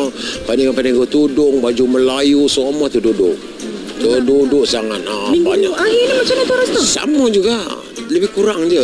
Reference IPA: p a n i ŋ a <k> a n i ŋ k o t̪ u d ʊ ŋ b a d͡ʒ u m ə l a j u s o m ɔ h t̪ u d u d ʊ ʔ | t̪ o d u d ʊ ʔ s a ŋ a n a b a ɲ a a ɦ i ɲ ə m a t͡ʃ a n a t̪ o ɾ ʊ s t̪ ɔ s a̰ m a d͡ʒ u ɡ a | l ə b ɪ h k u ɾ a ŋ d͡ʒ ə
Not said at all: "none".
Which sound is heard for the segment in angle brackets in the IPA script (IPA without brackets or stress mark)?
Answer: p